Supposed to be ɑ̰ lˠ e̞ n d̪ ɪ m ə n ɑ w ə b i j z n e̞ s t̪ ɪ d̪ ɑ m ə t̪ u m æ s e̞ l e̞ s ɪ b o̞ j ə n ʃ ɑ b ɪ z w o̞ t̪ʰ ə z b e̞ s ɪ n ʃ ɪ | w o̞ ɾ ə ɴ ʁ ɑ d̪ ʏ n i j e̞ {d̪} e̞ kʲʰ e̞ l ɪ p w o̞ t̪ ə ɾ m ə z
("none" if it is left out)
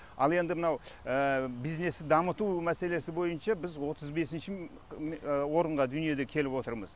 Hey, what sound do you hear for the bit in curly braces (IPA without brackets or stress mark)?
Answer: d̪